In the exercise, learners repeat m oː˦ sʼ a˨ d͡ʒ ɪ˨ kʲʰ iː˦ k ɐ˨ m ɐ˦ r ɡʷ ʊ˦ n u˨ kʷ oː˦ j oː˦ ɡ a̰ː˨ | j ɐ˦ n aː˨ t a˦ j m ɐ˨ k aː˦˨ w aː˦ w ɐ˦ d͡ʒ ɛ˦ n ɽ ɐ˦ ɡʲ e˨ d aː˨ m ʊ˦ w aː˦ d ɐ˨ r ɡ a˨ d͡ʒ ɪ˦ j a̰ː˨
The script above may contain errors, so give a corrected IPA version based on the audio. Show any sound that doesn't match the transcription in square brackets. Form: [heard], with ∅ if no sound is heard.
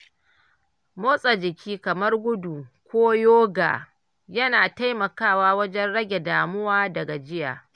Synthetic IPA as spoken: m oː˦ sʼ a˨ d͡ʒ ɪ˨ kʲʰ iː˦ k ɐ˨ m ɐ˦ r ɡʷ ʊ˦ [d] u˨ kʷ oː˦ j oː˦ ɡ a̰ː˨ | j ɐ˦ n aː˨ t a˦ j m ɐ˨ k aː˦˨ w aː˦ w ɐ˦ d͡ʒ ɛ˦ n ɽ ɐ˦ ɡʲ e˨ d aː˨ m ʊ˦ w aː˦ d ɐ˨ [∅] ɡ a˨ d͡ʒ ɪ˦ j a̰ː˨